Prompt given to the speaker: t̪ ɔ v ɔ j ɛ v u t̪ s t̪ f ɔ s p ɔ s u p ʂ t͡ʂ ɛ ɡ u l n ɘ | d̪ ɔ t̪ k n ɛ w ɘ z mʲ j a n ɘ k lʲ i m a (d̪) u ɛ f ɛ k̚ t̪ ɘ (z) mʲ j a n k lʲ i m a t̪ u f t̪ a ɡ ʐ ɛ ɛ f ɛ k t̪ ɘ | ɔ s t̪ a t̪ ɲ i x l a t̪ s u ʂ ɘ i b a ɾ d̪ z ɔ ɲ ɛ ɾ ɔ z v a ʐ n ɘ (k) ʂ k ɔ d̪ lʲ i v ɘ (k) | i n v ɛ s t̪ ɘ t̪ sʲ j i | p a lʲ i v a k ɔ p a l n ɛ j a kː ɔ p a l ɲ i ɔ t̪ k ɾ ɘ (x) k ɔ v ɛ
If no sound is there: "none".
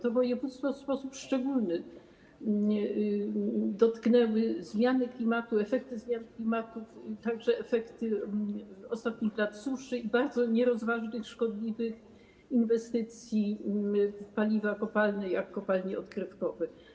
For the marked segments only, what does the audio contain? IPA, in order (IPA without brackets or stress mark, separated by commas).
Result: t̪, z, x, x, f